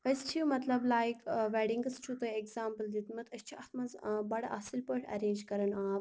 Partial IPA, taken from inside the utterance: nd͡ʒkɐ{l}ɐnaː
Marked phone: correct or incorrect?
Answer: incorrect